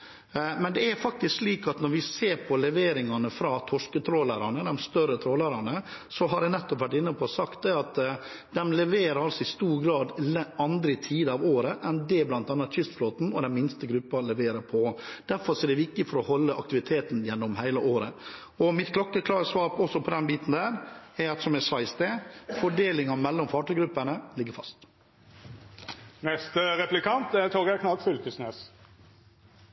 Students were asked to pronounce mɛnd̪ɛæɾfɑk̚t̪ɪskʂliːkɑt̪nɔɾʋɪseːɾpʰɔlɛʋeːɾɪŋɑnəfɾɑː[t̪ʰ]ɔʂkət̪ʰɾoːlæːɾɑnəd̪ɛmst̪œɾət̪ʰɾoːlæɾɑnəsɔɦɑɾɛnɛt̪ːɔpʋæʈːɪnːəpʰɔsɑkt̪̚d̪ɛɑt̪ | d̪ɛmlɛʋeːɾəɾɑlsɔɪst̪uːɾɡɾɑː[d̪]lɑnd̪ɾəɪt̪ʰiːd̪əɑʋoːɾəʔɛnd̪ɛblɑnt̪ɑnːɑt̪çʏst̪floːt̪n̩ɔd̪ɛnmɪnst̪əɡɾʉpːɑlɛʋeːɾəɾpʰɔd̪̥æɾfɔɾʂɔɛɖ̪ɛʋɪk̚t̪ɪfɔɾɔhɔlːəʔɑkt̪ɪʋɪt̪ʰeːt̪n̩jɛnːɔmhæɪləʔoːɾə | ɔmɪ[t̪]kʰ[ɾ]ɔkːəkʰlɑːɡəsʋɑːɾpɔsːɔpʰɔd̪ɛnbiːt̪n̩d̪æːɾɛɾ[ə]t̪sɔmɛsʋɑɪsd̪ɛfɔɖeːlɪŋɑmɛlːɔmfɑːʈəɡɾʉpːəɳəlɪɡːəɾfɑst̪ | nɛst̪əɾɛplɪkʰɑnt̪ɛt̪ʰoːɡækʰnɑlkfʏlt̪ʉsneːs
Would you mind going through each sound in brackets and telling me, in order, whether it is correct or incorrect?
correct, correct, correct, incorrect, incorrect

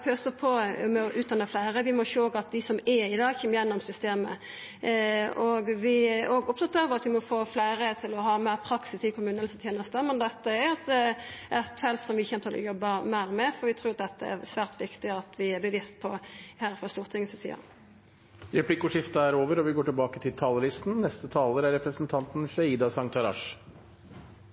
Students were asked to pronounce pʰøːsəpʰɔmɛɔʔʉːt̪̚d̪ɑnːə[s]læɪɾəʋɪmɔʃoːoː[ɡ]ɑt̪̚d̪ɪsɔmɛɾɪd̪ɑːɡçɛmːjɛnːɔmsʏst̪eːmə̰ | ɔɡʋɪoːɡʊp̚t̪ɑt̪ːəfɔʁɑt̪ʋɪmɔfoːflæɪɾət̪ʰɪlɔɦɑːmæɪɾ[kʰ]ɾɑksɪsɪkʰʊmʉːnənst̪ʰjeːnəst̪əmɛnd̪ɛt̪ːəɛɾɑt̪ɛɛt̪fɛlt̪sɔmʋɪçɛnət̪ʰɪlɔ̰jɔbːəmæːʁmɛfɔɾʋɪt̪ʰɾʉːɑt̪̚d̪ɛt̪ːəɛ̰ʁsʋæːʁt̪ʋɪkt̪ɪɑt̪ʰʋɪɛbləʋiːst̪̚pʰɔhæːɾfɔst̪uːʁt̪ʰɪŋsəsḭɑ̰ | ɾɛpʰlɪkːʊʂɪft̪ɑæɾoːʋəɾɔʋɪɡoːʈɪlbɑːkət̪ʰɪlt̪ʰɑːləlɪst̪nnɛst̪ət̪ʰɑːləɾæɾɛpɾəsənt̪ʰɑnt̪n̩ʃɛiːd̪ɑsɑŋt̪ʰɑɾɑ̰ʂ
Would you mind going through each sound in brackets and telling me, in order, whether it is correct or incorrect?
incorrect, correct, incorrect

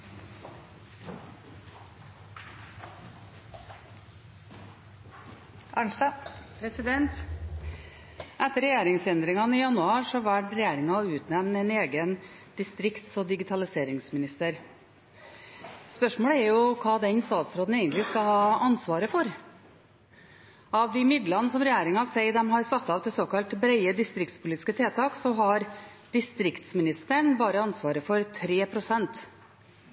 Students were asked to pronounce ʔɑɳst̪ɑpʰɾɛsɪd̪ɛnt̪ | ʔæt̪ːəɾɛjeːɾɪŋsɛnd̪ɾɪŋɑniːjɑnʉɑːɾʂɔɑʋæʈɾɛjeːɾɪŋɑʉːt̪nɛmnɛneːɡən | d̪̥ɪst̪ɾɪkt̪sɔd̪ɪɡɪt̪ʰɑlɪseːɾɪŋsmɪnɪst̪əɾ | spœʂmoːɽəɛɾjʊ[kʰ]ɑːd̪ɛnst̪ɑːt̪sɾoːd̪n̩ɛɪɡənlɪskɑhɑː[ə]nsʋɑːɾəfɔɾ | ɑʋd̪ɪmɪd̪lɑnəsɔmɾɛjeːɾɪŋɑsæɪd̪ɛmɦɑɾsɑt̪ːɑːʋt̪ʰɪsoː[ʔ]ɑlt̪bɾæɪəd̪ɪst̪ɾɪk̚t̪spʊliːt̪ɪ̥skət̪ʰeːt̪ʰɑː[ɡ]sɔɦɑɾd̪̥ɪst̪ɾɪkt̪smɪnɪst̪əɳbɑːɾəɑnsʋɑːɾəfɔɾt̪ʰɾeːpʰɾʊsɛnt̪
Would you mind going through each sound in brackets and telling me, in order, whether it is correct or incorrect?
correct, incorrect, incorrect, incorrect

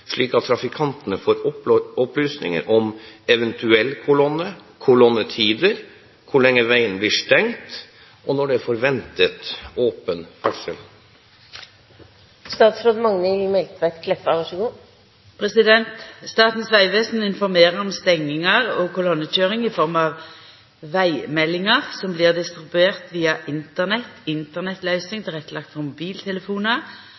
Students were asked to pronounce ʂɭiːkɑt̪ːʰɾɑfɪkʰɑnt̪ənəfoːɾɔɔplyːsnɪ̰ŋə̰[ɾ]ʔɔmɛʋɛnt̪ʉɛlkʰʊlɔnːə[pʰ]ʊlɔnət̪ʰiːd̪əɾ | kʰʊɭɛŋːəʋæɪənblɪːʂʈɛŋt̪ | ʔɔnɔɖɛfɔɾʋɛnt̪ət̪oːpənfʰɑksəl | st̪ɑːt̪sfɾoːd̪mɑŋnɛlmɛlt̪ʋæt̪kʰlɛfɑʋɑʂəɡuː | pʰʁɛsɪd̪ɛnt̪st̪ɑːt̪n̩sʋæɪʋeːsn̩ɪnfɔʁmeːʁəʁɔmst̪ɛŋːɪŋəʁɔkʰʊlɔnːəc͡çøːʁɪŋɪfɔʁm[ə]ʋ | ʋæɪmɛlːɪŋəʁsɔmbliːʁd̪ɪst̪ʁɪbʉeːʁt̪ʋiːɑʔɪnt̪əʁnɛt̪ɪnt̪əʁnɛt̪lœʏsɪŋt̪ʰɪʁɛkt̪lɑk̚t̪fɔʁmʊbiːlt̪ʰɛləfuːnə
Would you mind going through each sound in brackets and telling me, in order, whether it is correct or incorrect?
correct, incorrect, incorrect

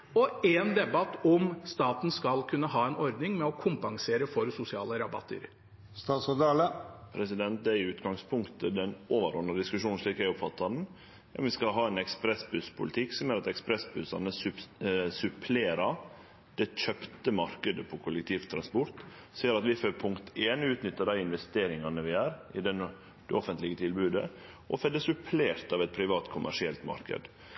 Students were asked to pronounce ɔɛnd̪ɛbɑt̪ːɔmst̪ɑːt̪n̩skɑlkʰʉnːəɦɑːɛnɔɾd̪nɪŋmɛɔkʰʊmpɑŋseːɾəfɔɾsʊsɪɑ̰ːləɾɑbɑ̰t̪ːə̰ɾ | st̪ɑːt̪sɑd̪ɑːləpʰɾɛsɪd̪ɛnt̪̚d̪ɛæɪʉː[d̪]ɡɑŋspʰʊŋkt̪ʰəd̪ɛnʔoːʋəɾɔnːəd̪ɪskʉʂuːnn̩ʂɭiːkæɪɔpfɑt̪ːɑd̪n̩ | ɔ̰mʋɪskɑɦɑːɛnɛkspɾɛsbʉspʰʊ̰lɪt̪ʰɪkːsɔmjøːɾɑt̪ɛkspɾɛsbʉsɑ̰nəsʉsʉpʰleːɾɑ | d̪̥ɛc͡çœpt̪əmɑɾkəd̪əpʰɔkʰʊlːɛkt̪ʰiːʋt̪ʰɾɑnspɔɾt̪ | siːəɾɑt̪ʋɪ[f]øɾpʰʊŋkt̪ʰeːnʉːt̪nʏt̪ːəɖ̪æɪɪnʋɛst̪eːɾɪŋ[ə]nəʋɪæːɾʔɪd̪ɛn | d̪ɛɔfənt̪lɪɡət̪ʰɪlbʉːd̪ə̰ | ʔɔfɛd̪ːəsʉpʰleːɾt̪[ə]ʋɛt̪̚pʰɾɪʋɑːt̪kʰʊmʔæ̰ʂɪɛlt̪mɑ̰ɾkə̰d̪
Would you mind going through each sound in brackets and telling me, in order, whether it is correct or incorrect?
incorrect, correct, incorrect, incorrect

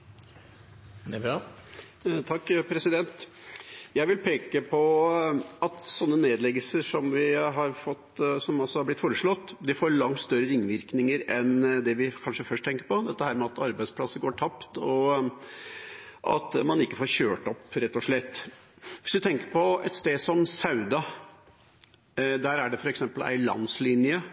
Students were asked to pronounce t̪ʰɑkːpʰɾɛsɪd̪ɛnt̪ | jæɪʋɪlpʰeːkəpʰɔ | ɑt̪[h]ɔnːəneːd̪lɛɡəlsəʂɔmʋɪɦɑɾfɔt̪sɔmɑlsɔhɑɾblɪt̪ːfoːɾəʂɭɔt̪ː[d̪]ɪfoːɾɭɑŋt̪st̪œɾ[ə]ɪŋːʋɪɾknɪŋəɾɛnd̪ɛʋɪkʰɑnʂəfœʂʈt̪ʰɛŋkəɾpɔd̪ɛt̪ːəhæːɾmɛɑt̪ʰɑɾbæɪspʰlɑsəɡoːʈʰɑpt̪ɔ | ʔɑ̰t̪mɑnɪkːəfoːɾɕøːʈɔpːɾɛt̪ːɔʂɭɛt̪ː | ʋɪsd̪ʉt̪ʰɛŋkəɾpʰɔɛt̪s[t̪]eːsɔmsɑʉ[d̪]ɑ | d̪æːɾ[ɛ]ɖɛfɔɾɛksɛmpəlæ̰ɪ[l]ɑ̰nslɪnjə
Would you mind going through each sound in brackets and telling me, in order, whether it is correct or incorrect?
incorrect, correct, correct, correct, correct, incorrect, correct

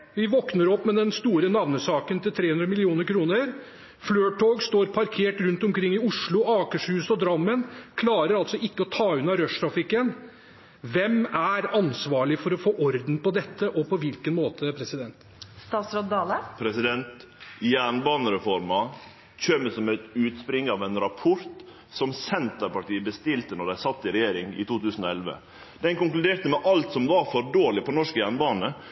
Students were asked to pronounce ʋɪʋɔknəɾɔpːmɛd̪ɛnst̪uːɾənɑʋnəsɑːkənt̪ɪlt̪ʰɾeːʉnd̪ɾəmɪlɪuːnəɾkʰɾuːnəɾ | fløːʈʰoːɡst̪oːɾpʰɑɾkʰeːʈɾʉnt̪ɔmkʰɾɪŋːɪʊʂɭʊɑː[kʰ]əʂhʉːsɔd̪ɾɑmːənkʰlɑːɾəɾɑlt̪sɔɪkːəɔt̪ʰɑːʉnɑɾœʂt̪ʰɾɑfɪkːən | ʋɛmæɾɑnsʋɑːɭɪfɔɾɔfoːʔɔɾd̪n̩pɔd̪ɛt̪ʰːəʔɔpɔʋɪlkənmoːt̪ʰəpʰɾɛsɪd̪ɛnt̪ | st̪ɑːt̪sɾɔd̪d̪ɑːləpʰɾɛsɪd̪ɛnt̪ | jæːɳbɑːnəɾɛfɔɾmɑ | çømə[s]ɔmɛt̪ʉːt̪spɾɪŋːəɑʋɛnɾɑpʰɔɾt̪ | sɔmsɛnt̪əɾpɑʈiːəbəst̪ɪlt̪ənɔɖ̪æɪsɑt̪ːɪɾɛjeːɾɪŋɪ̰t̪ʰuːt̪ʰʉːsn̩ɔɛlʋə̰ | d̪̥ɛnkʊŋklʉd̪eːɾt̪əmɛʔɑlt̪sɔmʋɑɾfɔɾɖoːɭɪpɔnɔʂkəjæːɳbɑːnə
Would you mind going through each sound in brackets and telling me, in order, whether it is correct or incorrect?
incorrect, correct

